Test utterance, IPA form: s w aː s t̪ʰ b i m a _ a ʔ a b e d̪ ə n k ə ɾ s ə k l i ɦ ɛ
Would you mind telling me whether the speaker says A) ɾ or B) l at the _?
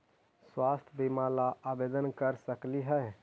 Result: B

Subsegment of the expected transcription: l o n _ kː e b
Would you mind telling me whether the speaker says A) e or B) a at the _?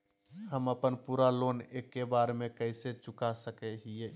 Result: A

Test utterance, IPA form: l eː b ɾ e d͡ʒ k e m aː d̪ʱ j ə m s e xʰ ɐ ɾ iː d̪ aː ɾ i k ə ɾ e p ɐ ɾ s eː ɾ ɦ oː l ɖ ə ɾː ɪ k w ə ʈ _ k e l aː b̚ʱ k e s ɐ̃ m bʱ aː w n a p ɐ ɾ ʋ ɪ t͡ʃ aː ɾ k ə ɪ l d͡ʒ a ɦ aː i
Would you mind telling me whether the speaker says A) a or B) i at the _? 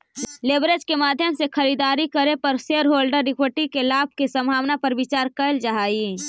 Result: B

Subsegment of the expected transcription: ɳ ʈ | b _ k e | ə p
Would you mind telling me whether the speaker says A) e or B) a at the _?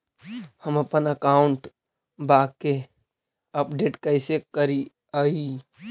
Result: B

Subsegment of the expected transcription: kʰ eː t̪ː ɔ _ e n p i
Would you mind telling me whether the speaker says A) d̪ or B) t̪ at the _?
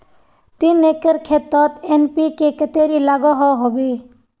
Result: B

